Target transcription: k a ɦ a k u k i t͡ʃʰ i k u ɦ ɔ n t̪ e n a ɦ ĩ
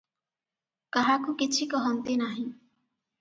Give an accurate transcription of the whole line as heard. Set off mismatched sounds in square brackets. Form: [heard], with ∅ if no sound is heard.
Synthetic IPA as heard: k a ɦ a k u k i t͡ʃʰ i k [ɔ] ɦ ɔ n t̪ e n a ɦ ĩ